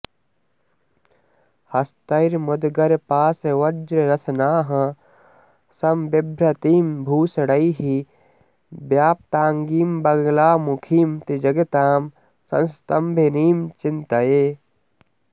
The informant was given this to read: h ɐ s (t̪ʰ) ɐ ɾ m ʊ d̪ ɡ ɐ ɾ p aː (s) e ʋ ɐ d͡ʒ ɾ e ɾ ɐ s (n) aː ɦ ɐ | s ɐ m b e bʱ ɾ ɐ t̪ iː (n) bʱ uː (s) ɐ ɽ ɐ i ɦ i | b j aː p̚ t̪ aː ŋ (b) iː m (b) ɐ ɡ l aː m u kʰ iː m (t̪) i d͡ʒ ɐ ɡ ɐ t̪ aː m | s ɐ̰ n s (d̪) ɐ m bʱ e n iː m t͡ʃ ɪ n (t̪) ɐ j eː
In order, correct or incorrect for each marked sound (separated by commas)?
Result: incorrect, correct, correct, incorrect, correct, incorrect, correct, correct, incorrect, correct